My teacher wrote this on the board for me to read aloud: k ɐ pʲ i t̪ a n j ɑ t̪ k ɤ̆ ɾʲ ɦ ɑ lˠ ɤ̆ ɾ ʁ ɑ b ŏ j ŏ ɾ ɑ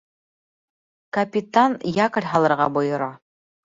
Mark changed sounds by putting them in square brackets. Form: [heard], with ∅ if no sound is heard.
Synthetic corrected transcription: k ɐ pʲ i t̪ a n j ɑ [∅] k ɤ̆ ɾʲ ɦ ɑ lˠ ɤ̆ ɾ ʁ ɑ b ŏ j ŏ ɾ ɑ